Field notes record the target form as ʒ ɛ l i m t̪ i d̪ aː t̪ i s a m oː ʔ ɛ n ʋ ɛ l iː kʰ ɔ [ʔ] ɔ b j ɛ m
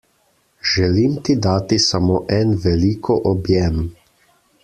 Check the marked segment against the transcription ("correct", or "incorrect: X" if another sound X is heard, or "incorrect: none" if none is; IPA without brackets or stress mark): correct